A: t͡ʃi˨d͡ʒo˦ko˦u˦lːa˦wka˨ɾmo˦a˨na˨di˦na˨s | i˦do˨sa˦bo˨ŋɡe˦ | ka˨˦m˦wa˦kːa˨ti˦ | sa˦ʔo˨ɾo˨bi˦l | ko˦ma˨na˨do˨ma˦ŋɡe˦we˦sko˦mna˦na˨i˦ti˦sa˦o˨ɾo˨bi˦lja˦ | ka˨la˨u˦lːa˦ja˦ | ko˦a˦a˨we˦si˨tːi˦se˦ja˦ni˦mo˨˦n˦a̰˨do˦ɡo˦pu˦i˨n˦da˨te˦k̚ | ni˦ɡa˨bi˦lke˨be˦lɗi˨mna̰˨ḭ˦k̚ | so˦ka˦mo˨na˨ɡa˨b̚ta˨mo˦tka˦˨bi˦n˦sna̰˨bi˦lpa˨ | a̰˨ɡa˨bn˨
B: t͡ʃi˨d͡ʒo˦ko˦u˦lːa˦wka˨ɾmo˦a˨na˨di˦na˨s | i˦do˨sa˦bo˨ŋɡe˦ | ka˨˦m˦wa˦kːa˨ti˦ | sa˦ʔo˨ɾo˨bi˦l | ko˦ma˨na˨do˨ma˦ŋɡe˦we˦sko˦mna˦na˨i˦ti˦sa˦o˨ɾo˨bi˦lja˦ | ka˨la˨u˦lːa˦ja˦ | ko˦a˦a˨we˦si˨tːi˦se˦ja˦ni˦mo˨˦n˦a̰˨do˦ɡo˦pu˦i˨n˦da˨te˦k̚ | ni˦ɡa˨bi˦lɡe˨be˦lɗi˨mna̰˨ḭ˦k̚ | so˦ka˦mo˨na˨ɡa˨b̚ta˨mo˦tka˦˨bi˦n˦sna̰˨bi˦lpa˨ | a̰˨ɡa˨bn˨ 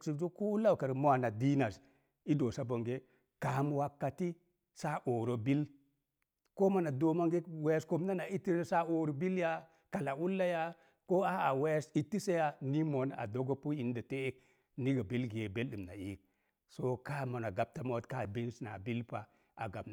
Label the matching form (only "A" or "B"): B